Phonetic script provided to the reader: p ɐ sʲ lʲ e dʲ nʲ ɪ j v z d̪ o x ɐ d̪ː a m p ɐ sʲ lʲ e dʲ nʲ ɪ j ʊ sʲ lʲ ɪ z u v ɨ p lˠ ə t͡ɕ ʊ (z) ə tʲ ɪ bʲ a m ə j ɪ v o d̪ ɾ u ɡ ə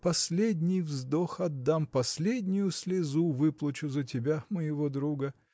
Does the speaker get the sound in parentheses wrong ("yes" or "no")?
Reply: no